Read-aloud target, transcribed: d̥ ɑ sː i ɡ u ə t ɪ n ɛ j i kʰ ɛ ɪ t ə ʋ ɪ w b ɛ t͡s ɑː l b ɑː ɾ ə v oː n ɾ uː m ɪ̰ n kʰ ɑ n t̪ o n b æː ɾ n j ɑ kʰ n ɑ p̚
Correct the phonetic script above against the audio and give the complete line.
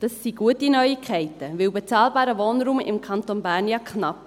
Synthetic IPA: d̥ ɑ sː i ɡ u ə t i n œ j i kʰ ɛ ɪ t ə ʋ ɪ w b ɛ t͡s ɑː l b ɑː ɾ ə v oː n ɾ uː m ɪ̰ m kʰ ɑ n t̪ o n b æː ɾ n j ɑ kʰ n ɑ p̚